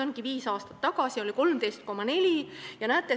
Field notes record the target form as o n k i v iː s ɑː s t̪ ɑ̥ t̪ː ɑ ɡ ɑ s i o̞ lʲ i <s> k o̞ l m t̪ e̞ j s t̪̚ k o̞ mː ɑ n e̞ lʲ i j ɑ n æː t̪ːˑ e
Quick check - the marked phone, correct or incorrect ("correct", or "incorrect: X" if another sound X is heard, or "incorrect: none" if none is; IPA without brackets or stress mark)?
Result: incorrect: none